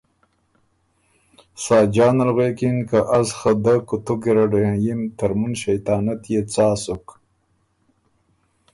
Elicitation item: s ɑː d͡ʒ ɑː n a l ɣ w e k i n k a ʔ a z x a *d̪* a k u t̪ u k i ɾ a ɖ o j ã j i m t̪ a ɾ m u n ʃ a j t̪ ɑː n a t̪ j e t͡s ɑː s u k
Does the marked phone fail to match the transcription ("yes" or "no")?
no